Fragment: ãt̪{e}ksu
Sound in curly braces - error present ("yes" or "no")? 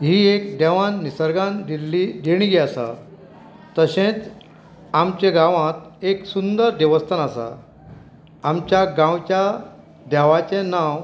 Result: no